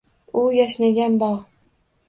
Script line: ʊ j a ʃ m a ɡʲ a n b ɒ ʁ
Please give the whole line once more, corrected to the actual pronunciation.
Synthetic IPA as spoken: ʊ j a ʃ n a ɡʲ a n b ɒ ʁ

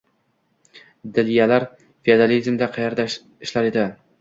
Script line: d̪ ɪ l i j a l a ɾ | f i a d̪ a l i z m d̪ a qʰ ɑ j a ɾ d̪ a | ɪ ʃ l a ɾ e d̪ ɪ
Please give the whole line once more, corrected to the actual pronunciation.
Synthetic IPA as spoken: d̪ ɪ l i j a l a ɾ | f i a d̪ a l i z m d̪ a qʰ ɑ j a ɾ d̪ a | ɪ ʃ l a ɾ e d̪ ɪ

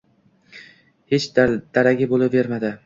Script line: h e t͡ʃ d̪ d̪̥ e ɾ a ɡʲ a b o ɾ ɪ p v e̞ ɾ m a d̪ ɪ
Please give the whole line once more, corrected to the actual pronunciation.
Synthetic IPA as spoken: h e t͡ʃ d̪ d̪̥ a ɾ a ɡʲ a b o l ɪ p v e̞ ɾ m a d̪ ɪ

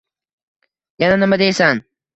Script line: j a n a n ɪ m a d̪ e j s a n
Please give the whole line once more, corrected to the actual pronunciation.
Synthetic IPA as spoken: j a n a n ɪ m a d̪ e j s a n

